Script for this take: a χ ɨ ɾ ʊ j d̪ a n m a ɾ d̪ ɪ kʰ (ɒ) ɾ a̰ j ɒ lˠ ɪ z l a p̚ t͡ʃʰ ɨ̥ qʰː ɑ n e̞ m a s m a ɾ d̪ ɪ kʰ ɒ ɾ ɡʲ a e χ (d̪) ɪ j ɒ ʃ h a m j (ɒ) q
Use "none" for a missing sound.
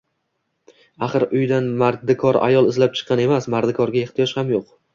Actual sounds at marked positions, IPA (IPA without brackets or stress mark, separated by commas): ɒ, t̪, o